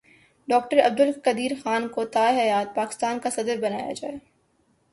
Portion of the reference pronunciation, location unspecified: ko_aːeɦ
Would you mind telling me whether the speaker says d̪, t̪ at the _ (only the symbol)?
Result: t̪